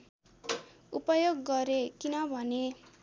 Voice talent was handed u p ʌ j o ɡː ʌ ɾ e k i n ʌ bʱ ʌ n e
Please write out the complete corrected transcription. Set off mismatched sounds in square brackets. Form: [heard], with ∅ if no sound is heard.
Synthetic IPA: u p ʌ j o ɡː ʌ ɾ e k i n ʌ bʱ ʌ n e

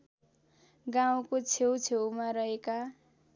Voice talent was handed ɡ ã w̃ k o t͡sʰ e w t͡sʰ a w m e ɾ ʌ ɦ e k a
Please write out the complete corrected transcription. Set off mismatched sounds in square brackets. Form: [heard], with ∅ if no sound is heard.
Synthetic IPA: ɡ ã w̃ k o t͡sʰ e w t͡sʰ [e] w m [a] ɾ ʌ ɦ e k a

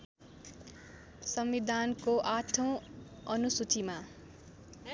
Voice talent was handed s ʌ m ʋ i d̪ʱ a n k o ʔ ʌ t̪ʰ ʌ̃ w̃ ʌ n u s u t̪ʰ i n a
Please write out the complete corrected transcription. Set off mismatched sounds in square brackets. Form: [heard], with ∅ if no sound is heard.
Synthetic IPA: s ʌ m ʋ i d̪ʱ a n k o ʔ [a] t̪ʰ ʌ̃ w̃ ʌ n u s u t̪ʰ i [m] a

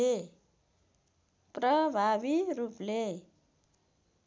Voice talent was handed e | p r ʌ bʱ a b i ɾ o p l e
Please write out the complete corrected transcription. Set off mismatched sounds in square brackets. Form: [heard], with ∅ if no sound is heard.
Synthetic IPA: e | p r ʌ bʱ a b i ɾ [u] p l e

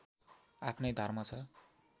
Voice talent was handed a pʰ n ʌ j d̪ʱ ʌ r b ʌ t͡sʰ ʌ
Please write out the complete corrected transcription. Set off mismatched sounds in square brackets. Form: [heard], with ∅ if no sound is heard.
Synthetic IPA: a pʰ n ʌ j d̪ʱ ʌ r [m] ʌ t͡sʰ ʌ

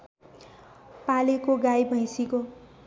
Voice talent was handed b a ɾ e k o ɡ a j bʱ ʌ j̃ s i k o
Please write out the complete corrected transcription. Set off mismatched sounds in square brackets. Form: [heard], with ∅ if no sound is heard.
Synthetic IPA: [p] a [l] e k o ɡ a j bʱ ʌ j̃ s i k o

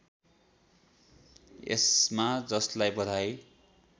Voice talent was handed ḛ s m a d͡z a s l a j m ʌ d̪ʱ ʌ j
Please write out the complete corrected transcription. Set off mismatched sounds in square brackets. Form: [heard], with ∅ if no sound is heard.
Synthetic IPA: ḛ s m a d͡z [ʌ] s l a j [b] ʌ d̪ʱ [a] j

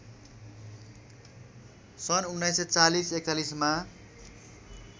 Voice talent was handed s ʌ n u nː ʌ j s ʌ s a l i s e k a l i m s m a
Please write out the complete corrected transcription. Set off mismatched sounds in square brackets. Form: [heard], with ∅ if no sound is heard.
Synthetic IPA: s ʌ n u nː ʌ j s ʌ [t͡s] a l i s e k a l i [∅] s m a

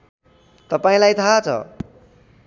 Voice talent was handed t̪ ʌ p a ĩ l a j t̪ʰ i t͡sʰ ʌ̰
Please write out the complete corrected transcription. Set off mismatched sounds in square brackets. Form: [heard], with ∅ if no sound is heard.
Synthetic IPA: t̪ ʌ p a ĩ l a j t̪ʰ [a] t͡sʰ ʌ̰

